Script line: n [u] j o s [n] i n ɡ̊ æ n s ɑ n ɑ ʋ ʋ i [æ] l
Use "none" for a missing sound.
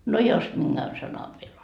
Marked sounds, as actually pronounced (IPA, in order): o, m, e

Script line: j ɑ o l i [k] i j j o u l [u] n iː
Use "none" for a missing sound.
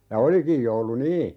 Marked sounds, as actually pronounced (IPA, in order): k, u

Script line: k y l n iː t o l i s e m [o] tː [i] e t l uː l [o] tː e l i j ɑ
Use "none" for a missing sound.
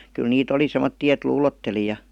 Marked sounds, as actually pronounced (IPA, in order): o, iː, o

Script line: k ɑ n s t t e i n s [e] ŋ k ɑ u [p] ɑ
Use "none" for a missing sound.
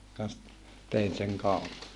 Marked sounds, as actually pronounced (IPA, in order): e, p

